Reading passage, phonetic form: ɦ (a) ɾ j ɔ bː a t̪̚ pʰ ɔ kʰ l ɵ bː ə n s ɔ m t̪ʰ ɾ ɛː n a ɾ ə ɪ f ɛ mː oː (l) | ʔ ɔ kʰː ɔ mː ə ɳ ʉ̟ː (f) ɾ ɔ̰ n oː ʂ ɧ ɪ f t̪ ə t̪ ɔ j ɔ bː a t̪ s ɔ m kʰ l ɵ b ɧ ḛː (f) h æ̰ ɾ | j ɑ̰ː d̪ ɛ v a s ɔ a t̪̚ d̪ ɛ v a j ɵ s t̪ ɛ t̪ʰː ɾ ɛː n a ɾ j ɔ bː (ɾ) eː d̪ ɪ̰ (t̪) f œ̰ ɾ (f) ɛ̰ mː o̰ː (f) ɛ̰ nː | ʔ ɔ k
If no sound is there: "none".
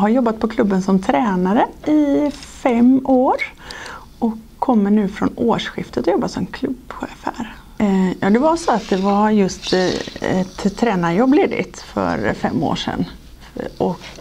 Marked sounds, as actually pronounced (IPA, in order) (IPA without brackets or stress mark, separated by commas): a, ɾ, f, f, l, t̪, f, ʂ